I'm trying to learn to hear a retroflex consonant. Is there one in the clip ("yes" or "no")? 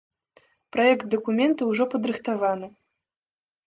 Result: yes